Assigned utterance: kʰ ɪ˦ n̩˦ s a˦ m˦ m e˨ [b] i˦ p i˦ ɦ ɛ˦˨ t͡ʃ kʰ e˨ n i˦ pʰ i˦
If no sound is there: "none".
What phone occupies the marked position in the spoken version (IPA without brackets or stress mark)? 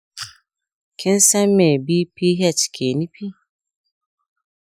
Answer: b